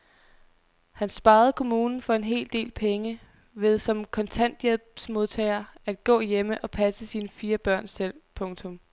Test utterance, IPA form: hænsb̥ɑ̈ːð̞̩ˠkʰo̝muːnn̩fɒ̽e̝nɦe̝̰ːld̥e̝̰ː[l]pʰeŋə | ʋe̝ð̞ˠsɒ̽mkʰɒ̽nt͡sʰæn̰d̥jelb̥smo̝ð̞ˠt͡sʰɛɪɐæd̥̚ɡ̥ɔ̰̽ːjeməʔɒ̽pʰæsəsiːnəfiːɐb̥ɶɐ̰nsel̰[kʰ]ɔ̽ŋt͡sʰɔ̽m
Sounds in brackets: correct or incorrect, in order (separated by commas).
correct, incorrect